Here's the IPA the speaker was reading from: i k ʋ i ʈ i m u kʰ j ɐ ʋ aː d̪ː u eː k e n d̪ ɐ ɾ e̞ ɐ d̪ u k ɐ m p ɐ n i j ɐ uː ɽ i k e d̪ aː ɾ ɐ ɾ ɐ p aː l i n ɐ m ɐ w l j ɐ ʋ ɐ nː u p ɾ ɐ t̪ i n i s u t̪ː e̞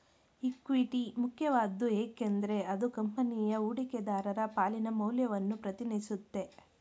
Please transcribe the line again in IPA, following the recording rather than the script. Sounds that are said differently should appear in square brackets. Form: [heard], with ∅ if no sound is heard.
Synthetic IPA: i k ʋ i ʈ i m u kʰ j ɐ ʋ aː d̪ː u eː k e n d̪ ɐ ɾ e̞ ɐ d̪ u k ɐ m p ɐ n i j ɐ uː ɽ i k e d̪ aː ɾ ɐ ɾ ɐ p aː l i n ɐ m ɐ w l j ɐ ʋ ɐ nː u p ɾ ɐ t̪ i n i s u t̪ː e̞